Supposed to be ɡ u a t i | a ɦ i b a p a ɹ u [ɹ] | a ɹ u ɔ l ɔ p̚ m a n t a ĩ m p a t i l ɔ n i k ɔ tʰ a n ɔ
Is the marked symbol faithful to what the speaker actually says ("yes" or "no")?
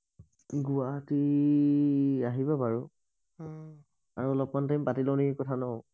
no